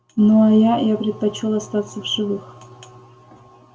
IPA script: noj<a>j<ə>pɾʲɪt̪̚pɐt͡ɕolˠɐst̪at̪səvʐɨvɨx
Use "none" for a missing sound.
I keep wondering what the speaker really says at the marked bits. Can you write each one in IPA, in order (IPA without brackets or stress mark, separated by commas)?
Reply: a, a